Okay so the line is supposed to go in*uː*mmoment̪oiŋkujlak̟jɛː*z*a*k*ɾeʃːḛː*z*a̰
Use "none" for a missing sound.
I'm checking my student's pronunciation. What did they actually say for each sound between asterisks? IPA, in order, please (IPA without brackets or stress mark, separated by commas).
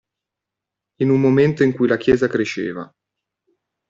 u, z, k, v